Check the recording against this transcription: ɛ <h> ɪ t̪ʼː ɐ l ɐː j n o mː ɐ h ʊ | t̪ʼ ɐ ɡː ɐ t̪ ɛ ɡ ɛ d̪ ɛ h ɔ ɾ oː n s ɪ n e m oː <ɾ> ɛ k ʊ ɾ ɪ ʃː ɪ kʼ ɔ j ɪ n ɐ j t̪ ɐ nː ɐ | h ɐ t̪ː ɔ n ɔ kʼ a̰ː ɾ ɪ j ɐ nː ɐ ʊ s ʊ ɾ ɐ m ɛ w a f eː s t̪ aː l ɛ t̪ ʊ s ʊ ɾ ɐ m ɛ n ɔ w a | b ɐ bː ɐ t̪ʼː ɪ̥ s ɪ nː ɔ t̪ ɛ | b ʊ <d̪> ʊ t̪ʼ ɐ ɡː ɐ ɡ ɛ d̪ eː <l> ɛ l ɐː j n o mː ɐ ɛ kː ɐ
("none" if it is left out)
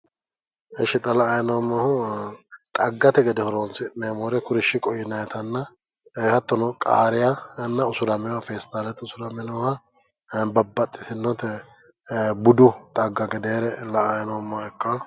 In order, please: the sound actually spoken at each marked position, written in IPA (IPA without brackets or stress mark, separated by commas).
ʃ, ɾ, d̪, ɾ